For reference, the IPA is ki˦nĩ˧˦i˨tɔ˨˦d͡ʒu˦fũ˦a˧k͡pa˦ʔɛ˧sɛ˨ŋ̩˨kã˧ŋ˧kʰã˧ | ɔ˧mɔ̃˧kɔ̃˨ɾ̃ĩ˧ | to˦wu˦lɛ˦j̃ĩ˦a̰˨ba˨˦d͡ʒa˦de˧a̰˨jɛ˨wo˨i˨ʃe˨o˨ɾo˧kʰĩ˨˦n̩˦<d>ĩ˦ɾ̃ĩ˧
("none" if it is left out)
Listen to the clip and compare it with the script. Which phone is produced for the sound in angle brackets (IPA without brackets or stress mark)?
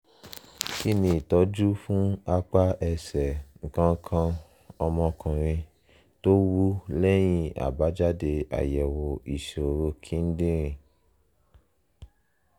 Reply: d